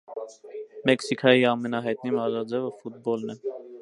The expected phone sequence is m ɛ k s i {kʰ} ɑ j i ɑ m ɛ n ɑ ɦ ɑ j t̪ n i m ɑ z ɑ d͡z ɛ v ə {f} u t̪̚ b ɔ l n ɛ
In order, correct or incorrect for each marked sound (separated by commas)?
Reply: correct, correct